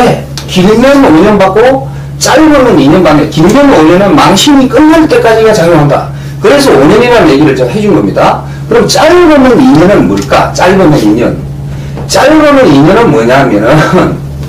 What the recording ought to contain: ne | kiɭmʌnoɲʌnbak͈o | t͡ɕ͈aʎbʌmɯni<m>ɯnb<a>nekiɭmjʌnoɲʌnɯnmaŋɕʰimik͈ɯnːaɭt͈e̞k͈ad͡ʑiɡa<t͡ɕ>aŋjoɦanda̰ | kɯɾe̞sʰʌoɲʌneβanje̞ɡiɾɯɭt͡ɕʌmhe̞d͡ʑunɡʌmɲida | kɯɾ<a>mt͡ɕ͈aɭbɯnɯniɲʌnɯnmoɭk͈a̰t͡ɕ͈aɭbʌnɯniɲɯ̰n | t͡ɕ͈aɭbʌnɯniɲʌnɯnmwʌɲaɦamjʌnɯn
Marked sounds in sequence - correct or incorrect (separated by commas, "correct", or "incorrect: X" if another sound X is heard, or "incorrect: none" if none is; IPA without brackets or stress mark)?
incorrect: ɲ, correct, correct, incorrect: ʌ